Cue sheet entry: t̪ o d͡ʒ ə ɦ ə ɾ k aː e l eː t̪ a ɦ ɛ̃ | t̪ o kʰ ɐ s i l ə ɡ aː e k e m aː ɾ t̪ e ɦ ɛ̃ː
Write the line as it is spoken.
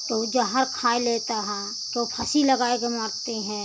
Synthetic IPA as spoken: t̪ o d͡ʒ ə ɦ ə ɾ kʰ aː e l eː t̪ a ɦ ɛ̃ | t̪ o pʰ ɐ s i l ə ɡ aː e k e m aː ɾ t̪ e ɦ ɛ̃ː